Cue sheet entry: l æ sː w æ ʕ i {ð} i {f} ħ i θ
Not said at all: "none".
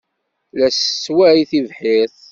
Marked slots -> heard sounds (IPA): θ, v

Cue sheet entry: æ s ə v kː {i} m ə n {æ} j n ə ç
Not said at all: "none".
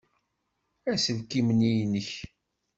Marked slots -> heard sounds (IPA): i, i

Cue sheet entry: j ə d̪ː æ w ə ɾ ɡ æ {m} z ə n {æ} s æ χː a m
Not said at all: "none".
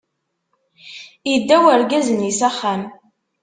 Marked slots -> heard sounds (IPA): none, i

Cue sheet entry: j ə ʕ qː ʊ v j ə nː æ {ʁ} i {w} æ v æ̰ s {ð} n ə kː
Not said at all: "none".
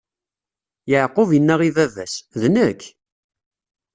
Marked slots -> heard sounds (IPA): ʁ, v, ð

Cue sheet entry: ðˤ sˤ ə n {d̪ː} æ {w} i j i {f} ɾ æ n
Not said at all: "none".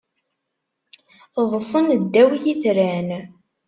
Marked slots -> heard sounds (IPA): d̪ː, w, θ

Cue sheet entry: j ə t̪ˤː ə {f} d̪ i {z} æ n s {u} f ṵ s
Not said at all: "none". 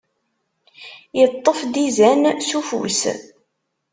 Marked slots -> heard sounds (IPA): f, z, u

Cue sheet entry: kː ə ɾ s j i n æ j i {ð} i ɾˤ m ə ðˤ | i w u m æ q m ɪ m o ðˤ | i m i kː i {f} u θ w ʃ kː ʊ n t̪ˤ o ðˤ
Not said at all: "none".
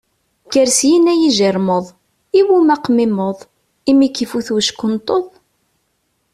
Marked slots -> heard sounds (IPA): ʒ, f

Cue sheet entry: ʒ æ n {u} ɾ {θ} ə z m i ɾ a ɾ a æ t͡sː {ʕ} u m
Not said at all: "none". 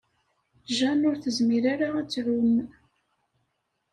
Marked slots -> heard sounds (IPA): ʊ, θ, ʕ

